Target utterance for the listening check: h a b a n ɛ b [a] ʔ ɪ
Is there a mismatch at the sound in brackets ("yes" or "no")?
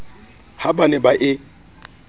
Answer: no